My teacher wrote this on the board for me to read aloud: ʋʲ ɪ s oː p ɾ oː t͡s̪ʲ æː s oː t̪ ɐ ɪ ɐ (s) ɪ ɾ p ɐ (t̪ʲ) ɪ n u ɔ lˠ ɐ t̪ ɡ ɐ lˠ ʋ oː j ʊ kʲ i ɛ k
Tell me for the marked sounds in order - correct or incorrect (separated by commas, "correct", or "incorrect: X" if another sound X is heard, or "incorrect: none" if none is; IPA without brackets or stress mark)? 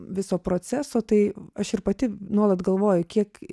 incorrect: ʃ, correct